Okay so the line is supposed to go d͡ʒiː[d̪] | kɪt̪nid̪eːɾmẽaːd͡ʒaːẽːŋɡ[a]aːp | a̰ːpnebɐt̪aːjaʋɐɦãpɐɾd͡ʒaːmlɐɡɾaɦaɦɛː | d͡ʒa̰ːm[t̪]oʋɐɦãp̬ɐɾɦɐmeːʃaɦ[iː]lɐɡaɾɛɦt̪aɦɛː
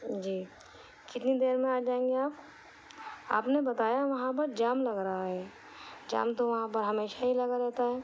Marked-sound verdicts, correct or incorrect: incorrect, incorrect, correct, incorrect

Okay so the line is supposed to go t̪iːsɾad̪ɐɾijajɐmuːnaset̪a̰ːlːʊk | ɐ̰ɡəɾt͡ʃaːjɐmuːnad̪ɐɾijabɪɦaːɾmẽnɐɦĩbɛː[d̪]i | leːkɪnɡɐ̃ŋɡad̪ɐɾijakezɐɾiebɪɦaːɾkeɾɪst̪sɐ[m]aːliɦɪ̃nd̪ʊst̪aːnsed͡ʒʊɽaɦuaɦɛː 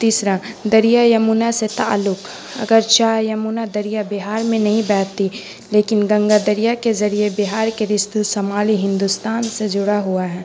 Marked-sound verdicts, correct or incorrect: incorrect, correct

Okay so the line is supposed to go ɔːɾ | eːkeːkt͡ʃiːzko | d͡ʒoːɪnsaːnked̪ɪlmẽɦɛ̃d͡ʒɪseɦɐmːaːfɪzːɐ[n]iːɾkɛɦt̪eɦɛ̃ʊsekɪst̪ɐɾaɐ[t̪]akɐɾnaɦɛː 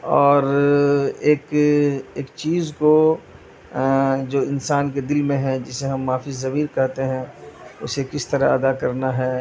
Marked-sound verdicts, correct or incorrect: incorrect, incorrect

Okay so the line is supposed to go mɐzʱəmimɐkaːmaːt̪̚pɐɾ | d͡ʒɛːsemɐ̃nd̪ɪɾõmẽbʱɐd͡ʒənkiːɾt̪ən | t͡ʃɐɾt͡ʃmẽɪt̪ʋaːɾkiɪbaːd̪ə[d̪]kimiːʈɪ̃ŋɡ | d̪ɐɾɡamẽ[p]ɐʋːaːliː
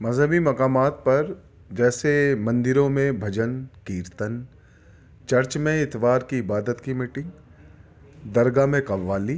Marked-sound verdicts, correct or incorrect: incorrect, incorrect

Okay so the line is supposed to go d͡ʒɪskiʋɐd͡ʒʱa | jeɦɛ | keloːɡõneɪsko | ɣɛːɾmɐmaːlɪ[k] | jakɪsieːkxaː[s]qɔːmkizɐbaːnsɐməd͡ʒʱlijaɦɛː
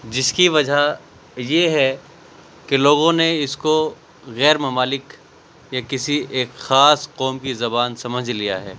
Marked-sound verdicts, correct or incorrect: correct, correct

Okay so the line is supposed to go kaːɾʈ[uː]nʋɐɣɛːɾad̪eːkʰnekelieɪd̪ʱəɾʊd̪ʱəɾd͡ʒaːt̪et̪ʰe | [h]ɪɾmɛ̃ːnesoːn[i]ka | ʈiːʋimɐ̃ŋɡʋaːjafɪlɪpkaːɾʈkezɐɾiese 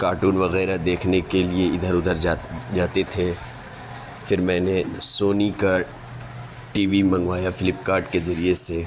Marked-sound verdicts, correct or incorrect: correct, incorrect, correct

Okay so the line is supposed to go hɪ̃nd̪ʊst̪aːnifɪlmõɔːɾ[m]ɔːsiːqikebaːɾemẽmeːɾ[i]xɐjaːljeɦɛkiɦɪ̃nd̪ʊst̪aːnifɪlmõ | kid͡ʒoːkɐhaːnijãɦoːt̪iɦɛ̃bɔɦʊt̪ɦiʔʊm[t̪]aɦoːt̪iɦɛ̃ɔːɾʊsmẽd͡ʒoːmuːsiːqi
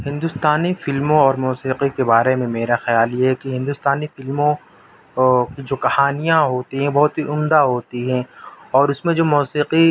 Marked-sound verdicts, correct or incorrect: correct, incorrect, incorrect

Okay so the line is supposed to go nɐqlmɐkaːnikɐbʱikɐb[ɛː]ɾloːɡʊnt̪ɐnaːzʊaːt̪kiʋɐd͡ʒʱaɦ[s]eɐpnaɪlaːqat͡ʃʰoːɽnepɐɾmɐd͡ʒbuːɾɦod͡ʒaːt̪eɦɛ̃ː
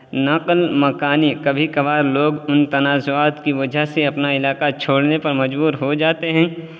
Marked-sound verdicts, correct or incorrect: incorrect, correct

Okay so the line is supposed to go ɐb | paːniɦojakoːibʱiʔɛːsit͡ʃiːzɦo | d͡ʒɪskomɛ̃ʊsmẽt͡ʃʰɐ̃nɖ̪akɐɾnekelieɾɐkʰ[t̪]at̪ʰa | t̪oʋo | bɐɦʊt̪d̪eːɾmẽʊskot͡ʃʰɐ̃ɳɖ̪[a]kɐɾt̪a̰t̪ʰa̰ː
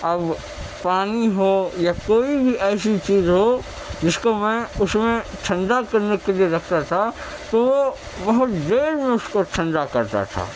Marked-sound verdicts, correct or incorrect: correct, correct

